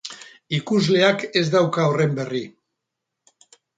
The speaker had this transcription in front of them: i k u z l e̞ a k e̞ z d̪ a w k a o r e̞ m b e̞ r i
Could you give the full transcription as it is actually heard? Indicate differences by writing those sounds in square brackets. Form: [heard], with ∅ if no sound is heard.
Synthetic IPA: i k u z l e̞ a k e̞ z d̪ a w k a o r e̞ m b e̞ r i